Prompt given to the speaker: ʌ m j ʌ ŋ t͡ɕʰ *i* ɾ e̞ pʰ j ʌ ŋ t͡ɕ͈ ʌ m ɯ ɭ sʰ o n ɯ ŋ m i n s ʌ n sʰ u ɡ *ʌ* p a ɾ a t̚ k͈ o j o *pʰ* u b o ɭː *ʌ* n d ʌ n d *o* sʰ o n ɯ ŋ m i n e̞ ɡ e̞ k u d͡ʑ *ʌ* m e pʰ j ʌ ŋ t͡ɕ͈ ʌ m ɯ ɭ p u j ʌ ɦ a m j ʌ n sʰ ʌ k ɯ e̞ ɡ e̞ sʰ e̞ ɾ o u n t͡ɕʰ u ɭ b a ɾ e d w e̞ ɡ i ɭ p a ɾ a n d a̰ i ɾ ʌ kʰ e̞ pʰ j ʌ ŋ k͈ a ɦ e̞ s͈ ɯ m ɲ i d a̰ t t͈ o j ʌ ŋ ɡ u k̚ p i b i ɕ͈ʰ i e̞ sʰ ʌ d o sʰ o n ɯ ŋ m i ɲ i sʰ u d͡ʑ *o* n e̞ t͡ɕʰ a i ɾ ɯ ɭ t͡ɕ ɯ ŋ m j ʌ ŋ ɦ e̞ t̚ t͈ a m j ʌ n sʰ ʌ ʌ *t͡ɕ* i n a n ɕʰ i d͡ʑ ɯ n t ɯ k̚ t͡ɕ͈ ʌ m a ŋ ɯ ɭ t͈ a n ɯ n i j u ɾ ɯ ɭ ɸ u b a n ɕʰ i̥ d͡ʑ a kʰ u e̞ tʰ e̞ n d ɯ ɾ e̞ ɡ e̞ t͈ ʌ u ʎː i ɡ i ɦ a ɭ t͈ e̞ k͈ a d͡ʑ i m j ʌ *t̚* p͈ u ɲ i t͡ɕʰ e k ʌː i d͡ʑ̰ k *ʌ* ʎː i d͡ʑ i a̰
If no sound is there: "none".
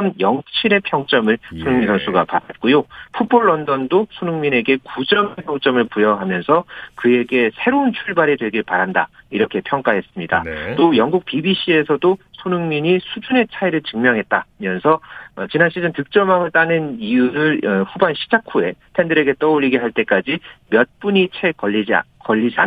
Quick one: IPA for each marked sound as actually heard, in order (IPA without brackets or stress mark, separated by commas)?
i, a, pʰ, ʌ, o, ʌ, u, t͡ɕ, t̚, ʌ